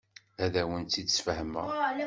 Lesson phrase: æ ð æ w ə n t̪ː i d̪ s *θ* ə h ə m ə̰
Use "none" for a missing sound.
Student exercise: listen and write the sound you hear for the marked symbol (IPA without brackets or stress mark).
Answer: f